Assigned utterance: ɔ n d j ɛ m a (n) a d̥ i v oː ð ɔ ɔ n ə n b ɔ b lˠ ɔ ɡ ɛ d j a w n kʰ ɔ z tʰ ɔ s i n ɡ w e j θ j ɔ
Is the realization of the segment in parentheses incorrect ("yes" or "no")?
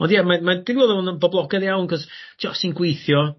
yes